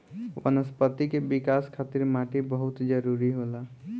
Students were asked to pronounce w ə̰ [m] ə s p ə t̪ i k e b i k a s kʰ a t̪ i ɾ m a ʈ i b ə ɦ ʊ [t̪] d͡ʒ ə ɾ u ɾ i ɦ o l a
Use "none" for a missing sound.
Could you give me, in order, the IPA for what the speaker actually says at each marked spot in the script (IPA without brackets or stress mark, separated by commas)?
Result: n, t̪